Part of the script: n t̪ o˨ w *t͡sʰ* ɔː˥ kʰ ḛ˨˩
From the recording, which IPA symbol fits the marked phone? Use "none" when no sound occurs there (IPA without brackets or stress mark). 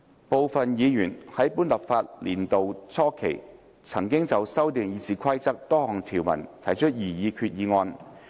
t͡sʰ